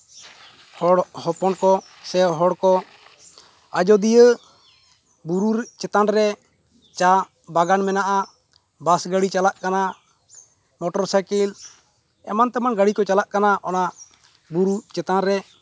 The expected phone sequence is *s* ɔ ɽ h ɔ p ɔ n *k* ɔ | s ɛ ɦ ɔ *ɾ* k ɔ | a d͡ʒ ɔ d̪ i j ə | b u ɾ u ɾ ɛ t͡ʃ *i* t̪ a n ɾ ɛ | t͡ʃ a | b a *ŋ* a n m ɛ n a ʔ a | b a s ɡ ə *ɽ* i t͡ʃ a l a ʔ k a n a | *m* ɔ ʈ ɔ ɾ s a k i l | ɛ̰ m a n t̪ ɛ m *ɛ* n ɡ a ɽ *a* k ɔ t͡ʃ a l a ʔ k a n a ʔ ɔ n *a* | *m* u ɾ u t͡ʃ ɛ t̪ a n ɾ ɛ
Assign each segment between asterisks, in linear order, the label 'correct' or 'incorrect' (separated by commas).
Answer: incorrect, correct, incorrect, incorrect, incorrect, correct, correct, incorrect, incorrect, correct, incorrect